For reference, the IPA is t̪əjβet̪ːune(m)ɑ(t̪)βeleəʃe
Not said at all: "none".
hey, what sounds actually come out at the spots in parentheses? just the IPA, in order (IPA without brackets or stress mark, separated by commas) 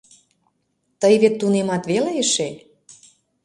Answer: m, t̪